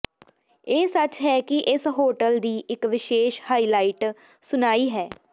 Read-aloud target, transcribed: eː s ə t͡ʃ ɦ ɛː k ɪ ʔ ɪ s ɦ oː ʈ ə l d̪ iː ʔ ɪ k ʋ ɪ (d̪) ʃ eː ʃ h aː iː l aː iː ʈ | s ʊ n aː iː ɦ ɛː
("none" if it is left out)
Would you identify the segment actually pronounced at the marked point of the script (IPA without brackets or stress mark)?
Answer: none